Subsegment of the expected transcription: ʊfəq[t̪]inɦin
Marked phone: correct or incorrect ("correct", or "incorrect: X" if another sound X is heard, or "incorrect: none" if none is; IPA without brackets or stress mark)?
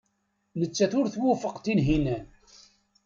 correct